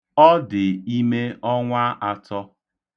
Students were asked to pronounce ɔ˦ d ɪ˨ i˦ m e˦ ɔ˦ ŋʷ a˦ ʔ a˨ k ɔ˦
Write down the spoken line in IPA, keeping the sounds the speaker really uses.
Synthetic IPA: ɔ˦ d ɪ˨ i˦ m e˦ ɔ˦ ŋʷ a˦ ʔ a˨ t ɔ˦